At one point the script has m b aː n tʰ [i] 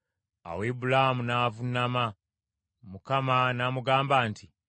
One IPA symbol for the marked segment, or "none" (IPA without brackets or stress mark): i